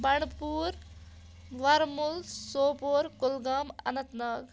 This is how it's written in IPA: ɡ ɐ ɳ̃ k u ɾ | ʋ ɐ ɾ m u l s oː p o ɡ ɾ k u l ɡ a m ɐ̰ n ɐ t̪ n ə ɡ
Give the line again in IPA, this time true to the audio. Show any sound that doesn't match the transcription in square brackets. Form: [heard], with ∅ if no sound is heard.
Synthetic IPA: [b] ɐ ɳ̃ [p] u ɾ | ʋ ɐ ɾ m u l s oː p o [∅] ɾ k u l ɡ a m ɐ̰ n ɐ t̪ n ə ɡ

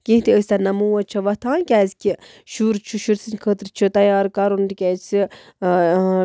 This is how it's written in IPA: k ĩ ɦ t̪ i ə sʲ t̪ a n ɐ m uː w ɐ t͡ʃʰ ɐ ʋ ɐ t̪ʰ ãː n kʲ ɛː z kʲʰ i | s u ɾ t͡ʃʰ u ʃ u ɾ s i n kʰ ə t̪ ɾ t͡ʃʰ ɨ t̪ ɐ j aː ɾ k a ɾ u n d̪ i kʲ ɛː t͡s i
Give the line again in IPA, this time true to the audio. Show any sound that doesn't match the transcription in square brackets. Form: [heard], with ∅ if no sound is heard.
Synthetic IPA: k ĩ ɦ t̪ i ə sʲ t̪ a n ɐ m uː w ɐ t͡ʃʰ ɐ ʋ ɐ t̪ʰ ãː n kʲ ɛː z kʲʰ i | [ʃ] u ɾ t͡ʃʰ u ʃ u ɾ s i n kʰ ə t̪ ɾ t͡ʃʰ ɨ t̪ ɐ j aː ɾ k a ɾ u n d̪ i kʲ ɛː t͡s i

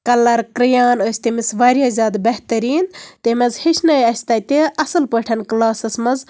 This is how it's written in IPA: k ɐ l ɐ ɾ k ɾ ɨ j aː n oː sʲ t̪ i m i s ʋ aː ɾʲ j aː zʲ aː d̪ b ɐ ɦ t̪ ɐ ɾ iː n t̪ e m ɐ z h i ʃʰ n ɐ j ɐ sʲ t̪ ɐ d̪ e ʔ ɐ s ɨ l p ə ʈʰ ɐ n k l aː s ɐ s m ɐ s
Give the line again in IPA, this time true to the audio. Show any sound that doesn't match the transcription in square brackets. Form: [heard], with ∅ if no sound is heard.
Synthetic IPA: k ɐ l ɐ ɾ k ɾ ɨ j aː n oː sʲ t̪ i m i s ʋ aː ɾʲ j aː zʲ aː d̪ b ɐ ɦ t̪ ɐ ɾ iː n t̪ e m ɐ z h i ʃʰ n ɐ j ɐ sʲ t̪ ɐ [t̪] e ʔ ɐ s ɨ l p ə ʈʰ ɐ n k l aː s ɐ s m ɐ [z]

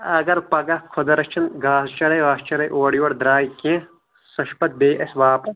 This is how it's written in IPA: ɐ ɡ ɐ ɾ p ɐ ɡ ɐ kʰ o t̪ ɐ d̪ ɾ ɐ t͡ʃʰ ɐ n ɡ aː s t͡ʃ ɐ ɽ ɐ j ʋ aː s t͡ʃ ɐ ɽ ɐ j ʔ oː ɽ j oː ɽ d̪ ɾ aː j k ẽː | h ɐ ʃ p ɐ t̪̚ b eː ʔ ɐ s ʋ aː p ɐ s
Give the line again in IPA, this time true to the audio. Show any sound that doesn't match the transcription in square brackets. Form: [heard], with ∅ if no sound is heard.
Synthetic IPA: ɐ ɡ ɐ ɾ p ɐ ɡ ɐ kʰ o [d̪] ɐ [∅] ɾ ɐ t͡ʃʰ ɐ n ɡ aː s t͡ʃ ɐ ɽ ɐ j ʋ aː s t͡ʃ ɐ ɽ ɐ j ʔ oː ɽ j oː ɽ d̪ ɾ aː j k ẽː | [s] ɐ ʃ p ɐ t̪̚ b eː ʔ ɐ s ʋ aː p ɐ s

